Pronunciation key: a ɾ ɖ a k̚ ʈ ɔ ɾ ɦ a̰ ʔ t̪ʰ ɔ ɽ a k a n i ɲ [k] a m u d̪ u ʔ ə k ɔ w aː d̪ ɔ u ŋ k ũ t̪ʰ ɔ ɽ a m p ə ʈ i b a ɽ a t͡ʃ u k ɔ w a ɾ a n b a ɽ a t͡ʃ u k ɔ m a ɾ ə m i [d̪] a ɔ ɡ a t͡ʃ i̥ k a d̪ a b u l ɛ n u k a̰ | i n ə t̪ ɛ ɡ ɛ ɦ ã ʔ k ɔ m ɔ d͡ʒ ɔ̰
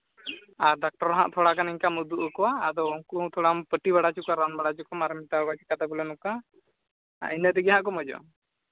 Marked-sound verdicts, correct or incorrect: correct, incorrect

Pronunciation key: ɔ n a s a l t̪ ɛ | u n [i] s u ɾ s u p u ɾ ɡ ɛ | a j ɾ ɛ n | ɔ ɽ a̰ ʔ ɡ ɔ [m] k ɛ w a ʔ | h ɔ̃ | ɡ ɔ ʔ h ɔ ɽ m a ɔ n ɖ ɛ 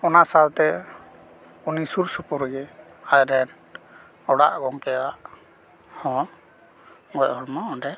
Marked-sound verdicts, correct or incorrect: correct, incorrect

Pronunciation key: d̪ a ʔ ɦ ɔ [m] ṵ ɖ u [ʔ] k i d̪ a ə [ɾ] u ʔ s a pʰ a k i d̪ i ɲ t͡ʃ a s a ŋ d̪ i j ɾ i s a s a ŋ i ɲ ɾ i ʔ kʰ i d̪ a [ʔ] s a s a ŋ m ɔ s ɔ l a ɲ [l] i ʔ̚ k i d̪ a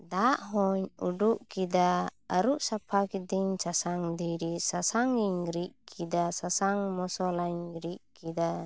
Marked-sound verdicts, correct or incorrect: incorrect, correct, correct, incorrect, incorrect

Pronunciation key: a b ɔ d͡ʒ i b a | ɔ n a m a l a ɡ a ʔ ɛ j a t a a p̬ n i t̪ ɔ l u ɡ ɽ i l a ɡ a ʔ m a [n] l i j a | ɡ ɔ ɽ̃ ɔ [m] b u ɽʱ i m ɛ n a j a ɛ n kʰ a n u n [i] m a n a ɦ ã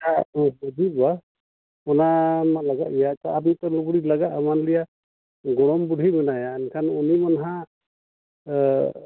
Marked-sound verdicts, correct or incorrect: correct, correct, correct

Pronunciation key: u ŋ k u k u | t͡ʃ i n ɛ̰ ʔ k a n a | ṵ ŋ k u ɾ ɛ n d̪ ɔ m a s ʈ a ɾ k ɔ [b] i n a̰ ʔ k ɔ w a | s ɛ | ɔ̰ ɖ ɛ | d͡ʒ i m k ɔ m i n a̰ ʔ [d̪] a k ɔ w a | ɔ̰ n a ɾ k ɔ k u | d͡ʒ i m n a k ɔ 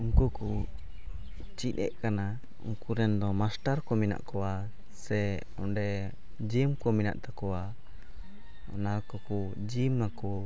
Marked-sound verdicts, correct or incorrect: incorrect, incorrect

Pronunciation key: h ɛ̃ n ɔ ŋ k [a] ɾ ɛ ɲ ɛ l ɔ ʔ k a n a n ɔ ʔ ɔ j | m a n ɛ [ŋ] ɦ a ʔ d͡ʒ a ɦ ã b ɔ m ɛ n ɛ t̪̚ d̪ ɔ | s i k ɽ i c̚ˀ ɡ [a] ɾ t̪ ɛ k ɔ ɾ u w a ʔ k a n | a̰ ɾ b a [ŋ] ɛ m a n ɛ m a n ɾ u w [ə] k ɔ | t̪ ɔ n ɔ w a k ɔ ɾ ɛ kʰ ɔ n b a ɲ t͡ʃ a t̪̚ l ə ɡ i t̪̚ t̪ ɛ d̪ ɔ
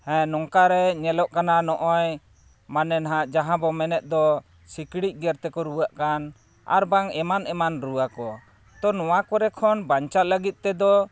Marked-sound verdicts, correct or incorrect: correct, incorrect, incorrect, correct, incorrect

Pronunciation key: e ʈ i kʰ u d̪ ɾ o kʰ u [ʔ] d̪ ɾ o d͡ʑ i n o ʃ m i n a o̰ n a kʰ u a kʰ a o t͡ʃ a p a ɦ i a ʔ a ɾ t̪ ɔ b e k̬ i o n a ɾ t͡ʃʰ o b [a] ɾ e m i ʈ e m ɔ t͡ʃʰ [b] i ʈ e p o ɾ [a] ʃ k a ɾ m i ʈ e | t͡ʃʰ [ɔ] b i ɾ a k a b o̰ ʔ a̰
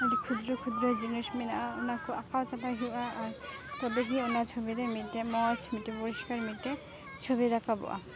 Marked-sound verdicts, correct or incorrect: incorrect, incorrect, incorrect, incorrect, incorrect

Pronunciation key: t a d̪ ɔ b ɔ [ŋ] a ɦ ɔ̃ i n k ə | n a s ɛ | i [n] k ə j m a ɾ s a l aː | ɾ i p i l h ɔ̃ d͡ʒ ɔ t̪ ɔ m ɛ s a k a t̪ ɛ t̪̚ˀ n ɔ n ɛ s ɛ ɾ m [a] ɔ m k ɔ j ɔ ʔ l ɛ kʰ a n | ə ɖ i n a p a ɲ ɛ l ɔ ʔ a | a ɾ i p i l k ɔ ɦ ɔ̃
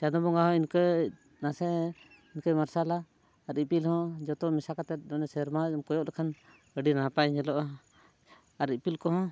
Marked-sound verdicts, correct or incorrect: correct, correct, correct

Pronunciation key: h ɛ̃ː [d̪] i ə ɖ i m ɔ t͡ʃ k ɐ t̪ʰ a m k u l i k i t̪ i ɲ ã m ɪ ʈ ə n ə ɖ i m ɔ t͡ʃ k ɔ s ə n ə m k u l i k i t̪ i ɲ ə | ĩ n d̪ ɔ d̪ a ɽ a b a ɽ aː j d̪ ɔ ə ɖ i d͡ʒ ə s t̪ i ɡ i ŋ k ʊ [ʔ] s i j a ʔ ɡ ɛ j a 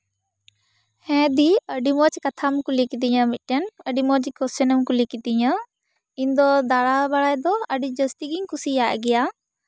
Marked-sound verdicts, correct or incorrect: correct, incorrect

